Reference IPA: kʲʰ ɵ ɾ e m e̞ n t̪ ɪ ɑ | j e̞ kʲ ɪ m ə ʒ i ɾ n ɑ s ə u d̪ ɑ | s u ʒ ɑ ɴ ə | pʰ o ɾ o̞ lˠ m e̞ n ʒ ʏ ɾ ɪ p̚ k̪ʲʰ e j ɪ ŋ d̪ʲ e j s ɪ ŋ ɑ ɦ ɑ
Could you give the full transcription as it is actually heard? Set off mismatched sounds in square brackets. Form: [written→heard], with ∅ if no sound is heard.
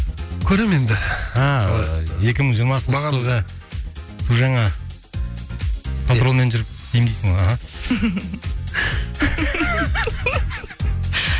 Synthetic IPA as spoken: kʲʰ ɵ ɾ e m e̞ n [t̪→d̪] ɪ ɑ | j e̞ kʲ ɪ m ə ʒ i ɾ [n→m] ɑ s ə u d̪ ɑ | s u ʒ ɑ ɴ [ə→ɑ] | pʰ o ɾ o̞ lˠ m e̞ n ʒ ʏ ɾ ɪ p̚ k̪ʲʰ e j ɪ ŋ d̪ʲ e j s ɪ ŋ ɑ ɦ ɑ